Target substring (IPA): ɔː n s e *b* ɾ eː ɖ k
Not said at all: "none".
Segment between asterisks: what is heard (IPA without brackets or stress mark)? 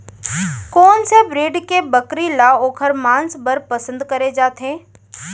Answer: b